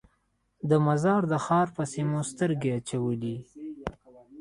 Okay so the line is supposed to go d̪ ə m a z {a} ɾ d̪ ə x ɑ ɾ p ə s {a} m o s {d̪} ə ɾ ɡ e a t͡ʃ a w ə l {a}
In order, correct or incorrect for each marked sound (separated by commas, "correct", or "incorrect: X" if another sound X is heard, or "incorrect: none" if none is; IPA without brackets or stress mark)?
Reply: incorrect: ɑ, incorrect: i, incorrect: t̪, incorrect: i